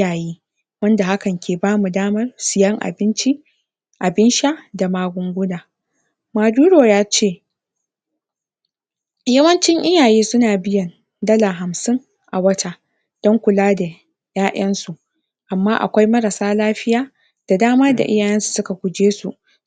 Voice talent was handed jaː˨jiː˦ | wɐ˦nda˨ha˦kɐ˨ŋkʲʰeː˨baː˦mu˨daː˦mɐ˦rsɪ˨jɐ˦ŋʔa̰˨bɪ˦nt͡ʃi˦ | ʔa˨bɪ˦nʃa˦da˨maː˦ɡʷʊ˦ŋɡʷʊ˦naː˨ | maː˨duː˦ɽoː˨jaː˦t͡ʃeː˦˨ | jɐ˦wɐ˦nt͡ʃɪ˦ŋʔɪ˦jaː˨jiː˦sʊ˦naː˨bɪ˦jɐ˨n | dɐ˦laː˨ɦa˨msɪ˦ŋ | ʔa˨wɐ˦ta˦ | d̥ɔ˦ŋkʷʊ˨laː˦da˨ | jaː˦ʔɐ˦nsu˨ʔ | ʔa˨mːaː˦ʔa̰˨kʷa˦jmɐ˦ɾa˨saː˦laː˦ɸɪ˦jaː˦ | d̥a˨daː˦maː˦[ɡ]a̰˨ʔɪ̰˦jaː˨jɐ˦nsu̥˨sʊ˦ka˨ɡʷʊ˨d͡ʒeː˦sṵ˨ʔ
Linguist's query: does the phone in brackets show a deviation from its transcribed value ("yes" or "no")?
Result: yes